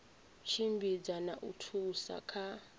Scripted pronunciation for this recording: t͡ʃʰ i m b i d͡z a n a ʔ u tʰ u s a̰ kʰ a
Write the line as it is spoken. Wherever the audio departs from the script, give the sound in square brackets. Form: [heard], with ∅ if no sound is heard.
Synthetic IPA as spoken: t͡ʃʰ i m b i d͡z a n a ʔ u tʰ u s a̰ kʰ a